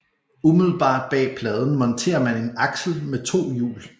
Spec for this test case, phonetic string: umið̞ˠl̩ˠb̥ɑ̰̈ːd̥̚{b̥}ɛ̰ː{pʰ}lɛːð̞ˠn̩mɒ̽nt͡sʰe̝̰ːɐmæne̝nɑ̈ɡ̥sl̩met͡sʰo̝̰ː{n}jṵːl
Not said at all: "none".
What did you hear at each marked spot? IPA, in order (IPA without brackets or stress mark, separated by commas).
b̥, pʰ, none